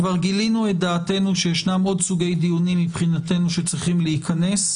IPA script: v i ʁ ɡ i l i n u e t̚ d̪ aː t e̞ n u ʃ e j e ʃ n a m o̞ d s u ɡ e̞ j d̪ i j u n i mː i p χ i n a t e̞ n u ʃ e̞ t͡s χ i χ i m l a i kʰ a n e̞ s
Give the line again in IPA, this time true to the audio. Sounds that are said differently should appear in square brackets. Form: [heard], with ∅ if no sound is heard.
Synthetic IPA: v [a] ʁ ɡ i l i n u e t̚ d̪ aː t e̞ n u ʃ e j e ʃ n a m o̞ d s u ɡ e̞ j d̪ i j u n i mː i p χ i n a t e̞ n u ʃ e̞ t͡s [ʁ] i χ i m l [e] i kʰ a n e̞ s

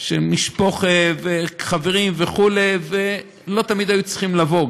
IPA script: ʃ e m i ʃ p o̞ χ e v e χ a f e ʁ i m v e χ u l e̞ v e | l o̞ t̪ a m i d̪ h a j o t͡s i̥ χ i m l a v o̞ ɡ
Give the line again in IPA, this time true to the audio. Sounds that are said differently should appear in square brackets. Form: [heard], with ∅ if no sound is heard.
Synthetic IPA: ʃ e m i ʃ p o̞ χ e v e χ a [v] e ʁ i m v e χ u l e̞ v e | l o̞ t̪ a m i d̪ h a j [u] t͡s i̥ χ i m l a v o̞ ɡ

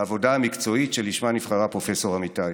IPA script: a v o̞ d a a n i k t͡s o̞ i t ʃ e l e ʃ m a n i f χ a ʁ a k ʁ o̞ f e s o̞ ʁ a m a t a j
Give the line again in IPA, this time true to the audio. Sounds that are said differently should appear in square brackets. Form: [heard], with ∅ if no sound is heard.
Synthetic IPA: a v o̞ d a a [m] i k t͡s o̞ i t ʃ e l [i] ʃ m a n i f χ a ʁ a [p] ʁ o̞ f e s o̞ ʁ a m [i] t a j

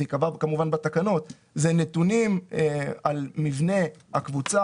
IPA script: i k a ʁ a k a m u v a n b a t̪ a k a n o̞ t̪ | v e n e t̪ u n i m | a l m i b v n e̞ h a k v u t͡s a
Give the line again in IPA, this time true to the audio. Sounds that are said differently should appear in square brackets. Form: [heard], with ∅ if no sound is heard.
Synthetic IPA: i k a [v] a k a m u v a n b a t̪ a k a n o̞ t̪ | [z] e n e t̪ u n i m | a l m i [∅] v n e̞ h a k v u t͡s a

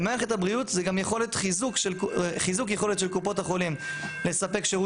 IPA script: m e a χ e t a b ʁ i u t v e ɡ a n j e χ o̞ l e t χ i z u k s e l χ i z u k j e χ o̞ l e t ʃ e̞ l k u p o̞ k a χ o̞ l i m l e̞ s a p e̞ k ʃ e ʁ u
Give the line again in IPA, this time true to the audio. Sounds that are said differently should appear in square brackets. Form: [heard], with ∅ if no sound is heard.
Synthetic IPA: m e a χ e t a b ʁ i u t [z] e ɡ a [m] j e χ o̞ l e t χ i z u k [ʃ] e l χ i z u k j e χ o̞ l e t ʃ e̞ l k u p o̞ [t] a χ o̞ l i m l e̞ s a p e̞ k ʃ e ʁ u

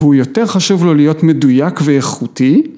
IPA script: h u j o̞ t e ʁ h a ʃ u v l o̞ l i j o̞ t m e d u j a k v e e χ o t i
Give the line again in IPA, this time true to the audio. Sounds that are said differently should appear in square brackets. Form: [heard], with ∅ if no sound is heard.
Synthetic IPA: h u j o̞ t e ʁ [χ] a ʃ u v l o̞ l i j o̞ t m e d u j a k v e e χ [u] t i

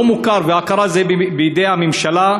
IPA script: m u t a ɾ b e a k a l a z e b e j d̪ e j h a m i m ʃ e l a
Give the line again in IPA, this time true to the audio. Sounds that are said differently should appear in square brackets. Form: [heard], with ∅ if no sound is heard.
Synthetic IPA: m u [k] a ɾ [v] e a k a [ɾ] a z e b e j d̪ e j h a m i m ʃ [a] l a

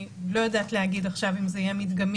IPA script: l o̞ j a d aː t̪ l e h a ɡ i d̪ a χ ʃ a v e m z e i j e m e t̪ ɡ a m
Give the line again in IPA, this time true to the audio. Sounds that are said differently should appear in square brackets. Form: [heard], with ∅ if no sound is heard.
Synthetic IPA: l o̞ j a d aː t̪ l e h a ɡ i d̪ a χ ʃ a v [i] m z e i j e m [i] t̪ ɡ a m

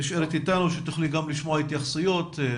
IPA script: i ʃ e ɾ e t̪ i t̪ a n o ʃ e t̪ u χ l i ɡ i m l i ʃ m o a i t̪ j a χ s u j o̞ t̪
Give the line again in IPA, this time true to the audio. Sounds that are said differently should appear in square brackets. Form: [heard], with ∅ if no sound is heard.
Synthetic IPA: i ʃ e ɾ e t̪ i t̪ a n [u] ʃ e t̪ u χ l i ɡ [a] m l i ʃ m o a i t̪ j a χ s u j o̞ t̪

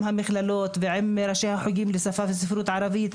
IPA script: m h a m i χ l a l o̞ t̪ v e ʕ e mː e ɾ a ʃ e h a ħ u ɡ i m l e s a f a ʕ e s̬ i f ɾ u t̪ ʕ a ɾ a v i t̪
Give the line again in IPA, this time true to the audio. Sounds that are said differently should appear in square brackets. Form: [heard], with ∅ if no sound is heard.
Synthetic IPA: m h a m i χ l a l o̞ t̪ v e ʕ e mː e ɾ a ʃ e h a ħ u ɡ i m l e s a f a [v] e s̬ i f ɾ u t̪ ʕ a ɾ a v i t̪

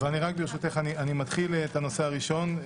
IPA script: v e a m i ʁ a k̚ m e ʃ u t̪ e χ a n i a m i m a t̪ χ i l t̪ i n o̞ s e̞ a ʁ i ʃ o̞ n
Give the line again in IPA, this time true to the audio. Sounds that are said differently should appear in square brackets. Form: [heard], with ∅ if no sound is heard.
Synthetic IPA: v e a [n] i ʁ a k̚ [b] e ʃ u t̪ e χ a n i a [n] i m a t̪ χ i l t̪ [a] n o̞ s e̞ a ʁ i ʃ o̞ n

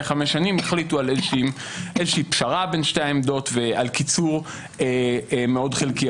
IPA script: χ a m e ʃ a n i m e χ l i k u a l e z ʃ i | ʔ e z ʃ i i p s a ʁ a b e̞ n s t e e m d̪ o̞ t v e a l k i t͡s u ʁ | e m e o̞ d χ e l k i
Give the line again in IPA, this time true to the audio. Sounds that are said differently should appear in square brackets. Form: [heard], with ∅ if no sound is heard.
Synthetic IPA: χ a m e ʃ a n i m e χ l i [t] u a l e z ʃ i | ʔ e z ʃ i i p [ʃ] a ʁ a b e̞ n [ʃ] t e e m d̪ o̞ t v e a l k i t͡s u ʁ | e m e o̞ d χ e l k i

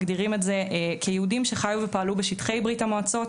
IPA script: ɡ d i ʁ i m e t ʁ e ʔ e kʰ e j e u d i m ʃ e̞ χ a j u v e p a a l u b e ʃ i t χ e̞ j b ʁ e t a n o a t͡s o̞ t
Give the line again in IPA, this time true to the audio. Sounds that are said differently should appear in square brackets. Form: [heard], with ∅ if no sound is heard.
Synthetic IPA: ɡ d i ʁ i m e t [z] e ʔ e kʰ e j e u d i m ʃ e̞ χ a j u v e p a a l u b e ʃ i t χ e̞ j b ʁ [i] t a [m] o a t͡s o̞ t

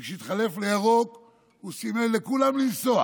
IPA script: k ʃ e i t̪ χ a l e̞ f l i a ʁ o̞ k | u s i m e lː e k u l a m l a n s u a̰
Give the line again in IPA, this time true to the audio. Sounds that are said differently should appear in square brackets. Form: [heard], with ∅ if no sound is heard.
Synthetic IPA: k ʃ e i t̪ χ a l e̞ f l [e] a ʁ o̞ k | u s i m e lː e k u l a m l [i] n s [o] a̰

